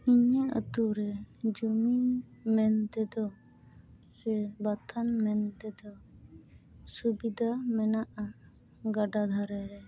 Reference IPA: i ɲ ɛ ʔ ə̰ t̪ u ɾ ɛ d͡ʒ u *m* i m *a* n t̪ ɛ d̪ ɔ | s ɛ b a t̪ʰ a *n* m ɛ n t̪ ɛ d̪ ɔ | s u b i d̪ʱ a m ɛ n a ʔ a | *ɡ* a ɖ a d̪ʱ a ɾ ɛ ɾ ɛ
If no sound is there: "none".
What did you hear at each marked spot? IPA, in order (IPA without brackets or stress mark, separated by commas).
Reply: m, ɛ, n, ɡ